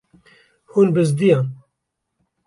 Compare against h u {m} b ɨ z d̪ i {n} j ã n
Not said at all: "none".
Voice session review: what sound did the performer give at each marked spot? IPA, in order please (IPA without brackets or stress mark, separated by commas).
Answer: n, none